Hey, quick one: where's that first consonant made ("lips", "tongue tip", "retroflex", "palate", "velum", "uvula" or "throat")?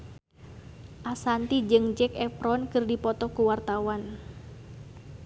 throat